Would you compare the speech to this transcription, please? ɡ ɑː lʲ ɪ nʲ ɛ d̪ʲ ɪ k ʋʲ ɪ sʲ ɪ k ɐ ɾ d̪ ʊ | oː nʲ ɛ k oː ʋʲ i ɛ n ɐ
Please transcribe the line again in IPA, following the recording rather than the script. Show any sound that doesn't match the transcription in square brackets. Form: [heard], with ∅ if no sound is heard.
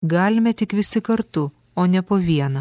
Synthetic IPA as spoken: ɡ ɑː lʲ ɪ [mʲ] ɛ [t̪ʲ] ɪ k ʋʲ ɪ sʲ ɪ k ɐ ɾ [t̪] ʊ | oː nʲ ɛ [p] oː ʋʲ i ɛ n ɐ